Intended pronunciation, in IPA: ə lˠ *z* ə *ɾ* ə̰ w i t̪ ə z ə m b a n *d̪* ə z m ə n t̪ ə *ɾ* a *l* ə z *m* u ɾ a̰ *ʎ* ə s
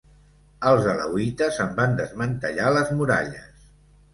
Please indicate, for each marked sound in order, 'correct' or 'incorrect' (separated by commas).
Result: correct, incorrect, correct, incorrect, correct, correct, correct